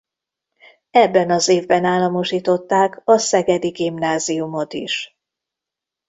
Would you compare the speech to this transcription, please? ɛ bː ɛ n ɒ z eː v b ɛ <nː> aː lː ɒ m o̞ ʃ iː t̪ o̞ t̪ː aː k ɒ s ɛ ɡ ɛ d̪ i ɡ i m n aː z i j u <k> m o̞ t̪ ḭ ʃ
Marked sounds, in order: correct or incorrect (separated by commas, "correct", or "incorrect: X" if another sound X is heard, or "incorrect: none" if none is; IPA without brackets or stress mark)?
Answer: incorrect: n, incorrect: none